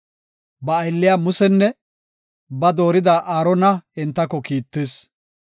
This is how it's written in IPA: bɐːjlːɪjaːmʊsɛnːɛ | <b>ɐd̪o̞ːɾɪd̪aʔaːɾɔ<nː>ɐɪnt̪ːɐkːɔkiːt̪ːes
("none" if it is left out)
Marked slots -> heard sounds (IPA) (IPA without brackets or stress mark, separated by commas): b, n